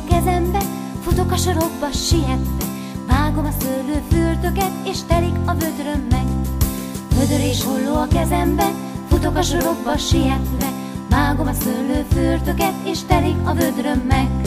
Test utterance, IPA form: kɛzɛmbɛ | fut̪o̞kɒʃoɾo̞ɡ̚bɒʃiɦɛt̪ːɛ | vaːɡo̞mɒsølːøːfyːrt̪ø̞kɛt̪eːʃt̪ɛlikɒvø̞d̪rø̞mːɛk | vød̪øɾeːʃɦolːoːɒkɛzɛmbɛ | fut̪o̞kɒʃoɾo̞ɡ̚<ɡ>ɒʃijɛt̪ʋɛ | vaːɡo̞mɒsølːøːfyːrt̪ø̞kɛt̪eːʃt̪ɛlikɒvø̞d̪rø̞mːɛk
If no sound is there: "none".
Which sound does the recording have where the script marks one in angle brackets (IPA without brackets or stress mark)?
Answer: b